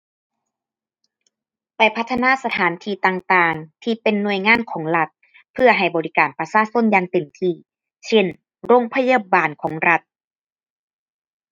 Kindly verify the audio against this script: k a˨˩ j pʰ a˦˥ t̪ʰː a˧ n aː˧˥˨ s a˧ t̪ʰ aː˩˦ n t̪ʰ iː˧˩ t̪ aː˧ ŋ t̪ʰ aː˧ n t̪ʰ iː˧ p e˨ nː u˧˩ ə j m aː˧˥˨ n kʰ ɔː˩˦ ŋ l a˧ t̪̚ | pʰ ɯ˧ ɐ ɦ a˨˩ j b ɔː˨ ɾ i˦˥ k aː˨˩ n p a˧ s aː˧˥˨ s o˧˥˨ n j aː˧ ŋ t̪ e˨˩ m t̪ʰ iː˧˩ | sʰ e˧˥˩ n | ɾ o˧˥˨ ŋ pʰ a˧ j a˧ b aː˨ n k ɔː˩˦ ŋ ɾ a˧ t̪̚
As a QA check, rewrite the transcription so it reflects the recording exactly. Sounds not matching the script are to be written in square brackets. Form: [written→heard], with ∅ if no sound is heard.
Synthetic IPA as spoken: [k→p] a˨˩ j pʰ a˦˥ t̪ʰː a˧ n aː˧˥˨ s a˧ t̪ʰ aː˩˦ n t̪ʰ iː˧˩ t̪ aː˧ ŋ [t̪ʰ→t̪] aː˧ [n→ŋ] t̪ʰ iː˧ p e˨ nː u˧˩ ə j [m→ŋ] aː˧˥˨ n kʰ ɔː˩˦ ŋ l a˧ t̪̚ | pʰ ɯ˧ ɐ ɦ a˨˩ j b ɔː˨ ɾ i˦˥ k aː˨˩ n p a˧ s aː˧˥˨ s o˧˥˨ n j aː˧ ŋ t̪ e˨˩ m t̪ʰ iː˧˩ | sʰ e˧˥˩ n | ɾ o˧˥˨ ŋ pʰ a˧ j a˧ b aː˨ n [k→kʰ] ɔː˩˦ ŋ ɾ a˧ t̪̚